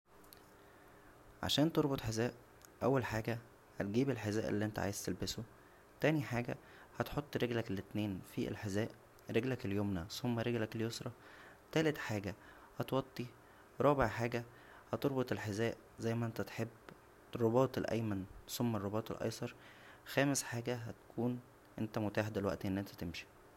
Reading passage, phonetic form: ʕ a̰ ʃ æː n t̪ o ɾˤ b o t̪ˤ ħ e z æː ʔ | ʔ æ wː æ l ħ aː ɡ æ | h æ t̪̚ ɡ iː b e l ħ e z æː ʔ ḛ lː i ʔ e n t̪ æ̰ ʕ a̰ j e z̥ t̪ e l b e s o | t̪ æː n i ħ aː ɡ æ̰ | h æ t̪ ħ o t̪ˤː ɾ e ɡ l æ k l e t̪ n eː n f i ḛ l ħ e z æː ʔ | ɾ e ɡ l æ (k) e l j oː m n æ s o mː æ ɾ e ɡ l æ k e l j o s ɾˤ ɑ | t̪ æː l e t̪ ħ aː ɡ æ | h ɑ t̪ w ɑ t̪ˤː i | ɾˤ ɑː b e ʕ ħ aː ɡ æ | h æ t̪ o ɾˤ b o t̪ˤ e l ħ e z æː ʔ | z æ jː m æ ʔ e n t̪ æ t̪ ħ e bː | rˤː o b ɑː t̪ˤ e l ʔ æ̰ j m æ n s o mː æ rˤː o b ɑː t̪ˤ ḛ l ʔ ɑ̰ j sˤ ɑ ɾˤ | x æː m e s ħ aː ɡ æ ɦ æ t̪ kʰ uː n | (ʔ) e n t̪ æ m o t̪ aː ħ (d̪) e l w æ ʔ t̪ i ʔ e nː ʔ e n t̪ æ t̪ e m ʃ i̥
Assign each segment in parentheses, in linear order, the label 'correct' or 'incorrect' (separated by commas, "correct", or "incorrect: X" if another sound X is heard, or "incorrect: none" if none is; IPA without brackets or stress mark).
correct, correct, correct